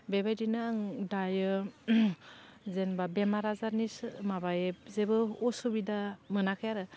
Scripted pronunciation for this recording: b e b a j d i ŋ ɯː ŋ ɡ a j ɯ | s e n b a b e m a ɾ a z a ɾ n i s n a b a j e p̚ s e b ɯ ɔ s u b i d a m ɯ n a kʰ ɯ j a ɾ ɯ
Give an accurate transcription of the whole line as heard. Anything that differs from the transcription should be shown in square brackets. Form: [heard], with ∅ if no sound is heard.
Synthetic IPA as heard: b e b a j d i [n] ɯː ŋ [d] a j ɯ | [z] e n b a b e m a ɾ a z a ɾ n i s [m] a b a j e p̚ [z] e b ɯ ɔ s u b i d a m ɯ n a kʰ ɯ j a ɾ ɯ